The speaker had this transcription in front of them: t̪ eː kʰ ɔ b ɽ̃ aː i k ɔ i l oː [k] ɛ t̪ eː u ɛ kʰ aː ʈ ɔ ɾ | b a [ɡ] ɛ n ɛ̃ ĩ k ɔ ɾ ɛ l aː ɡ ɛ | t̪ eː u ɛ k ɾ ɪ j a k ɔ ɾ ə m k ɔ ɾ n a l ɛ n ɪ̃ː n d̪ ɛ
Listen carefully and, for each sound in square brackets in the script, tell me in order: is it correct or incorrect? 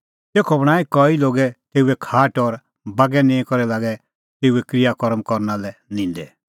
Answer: incorrect: ɡ, correct

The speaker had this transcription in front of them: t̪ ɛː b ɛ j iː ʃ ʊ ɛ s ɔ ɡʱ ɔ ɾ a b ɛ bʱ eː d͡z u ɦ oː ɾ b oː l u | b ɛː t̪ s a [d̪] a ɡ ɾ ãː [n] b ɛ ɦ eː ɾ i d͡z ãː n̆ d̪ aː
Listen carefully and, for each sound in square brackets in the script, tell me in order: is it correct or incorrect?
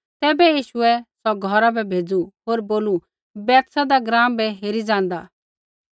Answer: correct, incorrect: m

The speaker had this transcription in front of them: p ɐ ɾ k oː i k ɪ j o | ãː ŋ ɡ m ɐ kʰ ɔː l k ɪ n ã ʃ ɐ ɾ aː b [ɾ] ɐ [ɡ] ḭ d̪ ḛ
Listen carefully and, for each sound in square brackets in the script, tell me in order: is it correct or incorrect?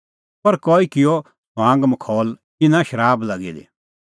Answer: incorrect: l, correct

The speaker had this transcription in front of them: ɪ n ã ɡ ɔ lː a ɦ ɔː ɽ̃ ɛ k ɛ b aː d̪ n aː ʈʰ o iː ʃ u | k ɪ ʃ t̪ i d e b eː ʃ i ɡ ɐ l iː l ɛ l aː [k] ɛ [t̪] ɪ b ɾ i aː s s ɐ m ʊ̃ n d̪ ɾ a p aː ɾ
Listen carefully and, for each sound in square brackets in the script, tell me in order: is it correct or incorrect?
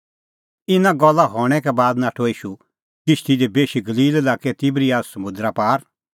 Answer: correct, correct

